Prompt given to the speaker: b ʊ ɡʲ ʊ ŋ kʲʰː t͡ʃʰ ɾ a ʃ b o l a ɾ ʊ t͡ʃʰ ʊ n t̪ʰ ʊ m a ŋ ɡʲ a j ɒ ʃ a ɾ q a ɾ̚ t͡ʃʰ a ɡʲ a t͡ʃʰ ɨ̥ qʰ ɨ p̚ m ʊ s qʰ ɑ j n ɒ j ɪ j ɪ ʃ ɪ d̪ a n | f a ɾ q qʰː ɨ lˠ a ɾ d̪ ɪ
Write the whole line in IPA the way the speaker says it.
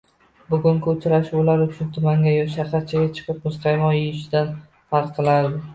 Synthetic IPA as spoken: b ʊ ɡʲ ʊ ŋ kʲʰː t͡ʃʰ ɾ a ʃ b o l a ɾ ʊ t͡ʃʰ ʊ n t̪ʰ ʊ m a ŋ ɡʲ a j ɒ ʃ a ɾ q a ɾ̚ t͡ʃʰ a ɡʲ a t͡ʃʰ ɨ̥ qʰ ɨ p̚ m ʊ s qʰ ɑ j m ɒ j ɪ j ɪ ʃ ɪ d̪ a n | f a ɾ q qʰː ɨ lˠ a ɾ d̪ ɪ

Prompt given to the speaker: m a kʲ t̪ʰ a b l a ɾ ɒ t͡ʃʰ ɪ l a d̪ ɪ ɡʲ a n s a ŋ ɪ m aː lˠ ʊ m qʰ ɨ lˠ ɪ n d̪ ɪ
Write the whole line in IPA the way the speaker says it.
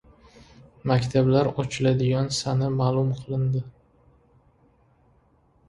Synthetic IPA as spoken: m a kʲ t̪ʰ a b l a ɾ ɒ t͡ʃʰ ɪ l a d̪ ɪ ɡʲ a n s a n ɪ m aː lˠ ʊ m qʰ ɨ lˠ ɪ n d̪ ɪ

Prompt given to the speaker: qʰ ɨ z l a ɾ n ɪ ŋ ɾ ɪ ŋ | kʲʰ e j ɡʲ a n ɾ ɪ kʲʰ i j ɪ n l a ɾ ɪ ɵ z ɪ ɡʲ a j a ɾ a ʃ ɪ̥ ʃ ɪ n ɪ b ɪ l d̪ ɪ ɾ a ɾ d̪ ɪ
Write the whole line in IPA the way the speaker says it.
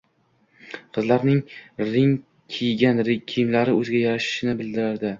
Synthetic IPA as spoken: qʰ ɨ z l a ɾ n ɪ ŋ ɾ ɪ ŋ | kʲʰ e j ɡʲ a n ɾ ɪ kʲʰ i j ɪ m l a ɾ ɪ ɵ z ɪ ɡʲ a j a ɾ a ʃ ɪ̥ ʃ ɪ n ɪ b ɪ l d̪ ɪ ɾ a ɾ d̪ ɪ

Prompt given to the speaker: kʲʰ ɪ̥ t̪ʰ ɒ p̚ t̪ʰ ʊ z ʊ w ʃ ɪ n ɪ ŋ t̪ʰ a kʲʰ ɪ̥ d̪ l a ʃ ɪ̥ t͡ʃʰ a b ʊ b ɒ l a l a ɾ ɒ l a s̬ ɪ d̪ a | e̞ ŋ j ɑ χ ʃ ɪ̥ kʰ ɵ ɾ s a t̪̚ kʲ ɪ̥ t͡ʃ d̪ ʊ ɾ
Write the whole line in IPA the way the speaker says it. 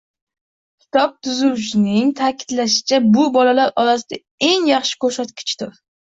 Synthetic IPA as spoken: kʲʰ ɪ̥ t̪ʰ ɒ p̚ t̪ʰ ʊ z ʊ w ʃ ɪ n ɪ ŋ t̪ʰ a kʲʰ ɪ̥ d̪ l a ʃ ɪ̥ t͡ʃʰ a b ʊ b ɒ l a l a ɾ ɒ l a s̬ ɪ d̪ a | e̞ ŋ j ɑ χ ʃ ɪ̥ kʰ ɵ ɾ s a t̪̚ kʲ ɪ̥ t͡ʃ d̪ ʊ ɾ

